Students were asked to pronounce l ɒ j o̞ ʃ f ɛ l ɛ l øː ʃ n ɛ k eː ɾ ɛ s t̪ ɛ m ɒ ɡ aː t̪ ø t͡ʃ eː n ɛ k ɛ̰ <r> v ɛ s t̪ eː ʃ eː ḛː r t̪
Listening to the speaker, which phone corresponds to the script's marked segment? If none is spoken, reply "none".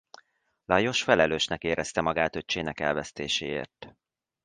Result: l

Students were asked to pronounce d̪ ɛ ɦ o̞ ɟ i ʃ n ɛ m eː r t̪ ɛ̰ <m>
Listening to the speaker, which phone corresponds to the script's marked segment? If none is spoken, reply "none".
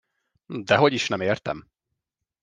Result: m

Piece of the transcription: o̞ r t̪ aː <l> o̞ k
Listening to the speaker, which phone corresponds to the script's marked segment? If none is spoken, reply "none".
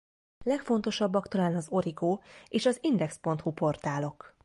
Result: l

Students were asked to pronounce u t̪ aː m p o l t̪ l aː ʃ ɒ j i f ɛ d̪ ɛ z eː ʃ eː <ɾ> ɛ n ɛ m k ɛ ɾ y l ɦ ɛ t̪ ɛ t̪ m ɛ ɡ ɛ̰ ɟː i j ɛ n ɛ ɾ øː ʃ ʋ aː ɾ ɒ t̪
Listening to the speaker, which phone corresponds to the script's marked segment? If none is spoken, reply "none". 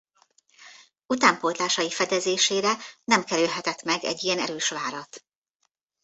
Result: ɾ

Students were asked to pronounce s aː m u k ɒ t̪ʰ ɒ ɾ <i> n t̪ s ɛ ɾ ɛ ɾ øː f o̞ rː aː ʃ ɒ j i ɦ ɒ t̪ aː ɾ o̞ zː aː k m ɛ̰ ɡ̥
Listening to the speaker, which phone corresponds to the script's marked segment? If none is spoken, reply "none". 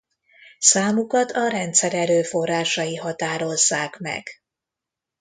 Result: ɛ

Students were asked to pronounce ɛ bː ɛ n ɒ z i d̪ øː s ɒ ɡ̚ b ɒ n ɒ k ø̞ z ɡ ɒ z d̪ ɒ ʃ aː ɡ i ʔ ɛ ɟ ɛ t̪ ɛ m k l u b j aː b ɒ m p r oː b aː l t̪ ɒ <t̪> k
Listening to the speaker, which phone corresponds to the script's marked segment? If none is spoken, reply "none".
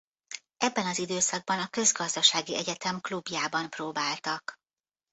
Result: none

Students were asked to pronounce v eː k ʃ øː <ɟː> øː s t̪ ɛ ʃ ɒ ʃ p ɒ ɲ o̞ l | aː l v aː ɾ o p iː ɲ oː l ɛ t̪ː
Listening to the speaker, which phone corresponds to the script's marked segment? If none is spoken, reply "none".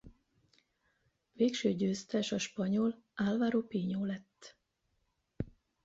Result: ɟ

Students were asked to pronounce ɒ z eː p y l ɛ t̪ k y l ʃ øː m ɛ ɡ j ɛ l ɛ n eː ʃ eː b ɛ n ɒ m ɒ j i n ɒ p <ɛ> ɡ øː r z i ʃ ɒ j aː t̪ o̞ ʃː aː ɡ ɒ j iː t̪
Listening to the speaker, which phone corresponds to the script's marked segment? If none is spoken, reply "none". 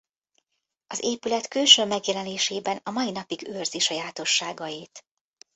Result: i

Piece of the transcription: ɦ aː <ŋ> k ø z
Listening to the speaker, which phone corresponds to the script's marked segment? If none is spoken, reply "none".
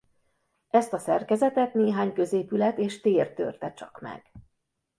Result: ɲ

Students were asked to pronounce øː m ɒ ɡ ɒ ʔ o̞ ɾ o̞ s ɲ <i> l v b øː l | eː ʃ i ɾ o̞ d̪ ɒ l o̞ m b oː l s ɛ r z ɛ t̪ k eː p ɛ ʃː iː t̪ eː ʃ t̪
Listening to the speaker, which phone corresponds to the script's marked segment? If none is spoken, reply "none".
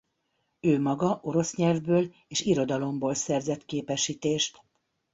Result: ɛ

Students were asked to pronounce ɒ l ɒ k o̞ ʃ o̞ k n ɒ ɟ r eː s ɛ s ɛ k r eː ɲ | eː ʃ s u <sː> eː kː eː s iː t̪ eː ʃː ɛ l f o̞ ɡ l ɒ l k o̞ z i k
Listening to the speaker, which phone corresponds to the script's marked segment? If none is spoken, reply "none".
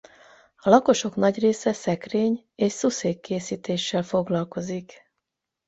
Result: s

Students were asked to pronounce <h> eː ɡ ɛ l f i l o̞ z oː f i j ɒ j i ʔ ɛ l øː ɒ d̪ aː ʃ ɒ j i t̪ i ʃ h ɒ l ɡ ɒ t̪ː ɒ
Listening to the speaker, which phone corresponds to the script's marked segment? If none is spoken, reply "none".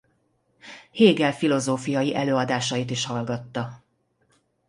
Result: h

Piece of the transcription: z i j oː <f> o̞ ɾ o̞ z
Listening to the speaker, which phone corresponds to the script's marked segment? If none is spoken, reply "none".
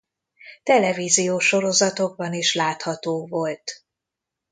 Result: ʃ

